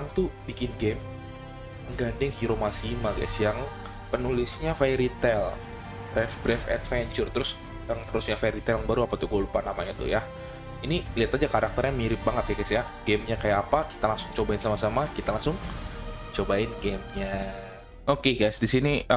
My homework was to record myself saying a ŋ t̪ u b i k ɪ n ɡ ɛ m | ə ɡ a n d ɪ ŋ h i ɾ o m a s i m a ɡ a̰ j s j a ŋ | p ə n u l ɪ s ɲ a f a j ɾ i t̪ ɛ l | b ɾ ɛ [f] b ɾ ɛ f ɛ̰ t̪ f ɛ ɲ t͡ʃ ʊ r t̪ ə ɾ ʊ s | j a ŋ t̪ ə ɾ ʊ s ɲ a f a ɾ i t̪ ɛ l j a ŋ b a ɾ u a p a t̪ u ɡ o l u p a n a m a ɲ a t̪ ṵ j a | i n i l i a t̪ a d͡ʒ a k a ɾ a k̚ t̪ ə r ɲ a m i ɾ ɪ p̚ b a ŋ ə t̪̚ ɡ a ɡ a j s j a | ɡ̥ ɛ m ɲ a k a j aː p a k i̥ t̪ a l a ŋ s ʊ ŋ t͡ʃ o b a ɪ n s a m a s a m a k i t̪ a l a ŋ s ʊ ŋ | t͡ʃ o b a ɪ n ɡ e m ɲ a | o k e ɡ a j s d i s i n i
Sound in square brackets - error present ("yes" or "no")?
no